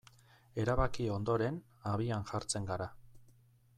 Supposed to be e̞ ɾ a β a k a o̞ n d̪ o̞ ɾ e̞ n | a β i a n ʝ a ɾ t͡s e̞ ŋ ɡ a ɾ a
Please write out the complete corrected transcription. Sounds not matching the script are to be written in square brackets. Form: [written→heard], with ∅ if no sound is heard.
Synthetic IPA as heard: e̞ ɾ a β a k [a→i] o̞ n d̪ o̞ ɾ e̞ n | a β i a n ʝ a ɾ t͡s e̞ ŋ ɡ a ɾ a